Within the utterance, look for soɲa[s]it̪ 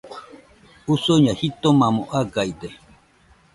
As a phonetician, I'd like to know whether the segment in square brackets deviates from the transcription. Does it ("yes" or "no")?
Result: yes